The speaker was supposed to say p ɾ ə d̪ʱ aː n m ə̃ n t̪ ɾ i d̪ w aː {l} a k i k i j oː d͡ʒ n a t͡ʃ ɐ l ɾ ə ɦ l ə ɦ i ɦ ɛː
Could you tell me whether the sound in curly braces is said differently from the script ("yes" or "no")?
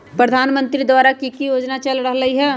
yes